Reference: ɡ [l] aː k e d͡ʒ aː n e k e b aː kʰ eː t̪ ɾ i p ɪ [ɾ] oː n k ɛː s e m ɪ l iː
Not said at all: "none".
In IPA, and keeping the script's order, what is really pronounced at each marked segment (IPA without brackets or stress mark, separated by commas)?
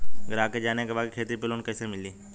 ɾ, l